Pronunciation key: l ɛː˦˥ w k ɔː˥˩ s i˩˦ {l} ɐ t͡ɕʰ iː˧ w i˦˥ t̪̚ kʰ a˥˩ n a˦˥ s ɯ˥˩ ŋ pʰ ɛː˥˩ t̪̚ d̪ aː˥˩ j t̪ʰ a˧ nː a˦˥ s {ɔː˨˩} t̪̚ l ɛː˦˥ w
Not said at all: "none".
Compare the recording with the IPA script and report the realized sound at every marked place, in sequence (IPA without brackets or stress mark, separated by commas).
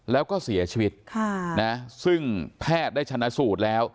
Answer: none, uː˨˩